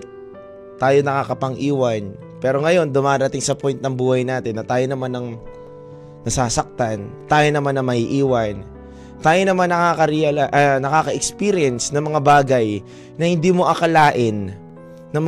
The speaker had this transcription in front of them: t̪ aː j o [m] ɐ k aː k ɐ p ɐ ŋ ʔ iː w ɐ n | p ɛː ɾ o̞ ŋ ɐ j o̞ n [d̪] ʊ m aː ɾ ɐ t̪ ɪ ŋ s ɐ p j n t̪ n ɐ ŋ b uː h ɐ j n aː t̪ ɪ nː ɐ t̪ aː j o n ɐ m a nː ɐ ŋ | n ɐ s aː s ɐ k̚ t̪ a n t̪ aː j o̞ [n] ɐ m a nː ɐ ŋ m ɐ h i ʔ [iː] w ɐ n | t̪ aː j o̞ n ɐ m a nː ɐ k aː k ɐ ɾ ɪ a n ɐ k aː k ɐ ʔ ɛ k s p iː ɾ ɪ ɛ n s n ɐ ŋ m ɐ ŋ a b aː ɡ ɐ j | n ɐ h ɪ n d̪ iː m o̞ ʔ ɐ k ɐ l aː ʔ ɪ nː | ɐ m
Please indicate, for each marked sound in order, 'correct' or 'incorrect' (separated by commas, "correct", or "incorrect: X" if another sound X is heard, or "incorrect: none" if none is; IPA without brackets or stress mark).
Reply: incorrect: n, correct, correct, correct